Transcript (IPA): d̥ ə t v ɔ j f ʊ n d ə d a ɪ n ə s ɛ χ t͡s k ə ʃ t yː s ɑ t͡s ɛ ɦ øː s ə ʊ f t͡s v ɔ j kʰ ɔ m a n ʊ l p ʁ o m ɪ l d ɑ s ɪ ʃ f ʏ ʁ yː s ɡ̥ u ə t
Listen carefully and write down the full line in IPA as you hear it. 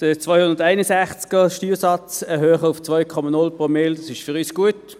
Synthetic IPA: d̥ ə t͡s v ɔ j h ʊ n d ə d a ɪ n ə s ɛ χ t͡s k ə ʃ t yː s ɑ t͡s ɛ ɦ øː χ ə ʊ f t͡s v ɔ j kʰ ɔ m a n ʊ l p ʁ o m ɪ l d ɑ s ɪ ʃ f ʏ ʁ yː s ɡ̥ u ə t